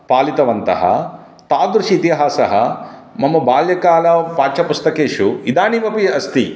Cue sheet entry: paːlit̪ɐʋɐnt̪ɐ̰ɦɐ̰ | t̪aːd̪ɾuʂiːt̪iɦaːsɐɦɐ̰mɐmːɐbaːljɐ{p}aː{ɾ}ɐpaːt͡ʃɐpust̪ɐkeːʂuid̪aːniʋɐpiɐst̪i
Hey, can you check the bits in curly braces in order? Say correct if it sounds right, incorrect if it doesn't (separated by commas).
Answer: incorrect, incorrect